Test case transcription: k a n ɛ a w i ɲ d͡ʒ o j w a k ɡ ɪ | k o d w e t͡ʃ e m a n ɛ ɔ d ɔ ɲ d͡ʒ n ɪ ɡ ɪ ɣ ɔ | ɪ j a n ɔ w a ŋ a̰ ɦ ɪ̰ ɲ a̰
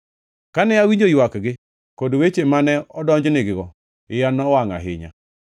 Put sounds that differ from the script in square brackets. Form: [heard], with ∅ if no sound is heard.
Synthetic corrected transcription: k a n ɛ a w i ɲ d͡ʒ o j w a k ɡ ɪ | k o d w e t͡ʃ e m a n ɛ ɔ d ɔ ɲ d͡ʒ n ɪ ɡ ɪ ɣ ɔ | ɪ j a n ɔ w a ŋ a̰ ɦ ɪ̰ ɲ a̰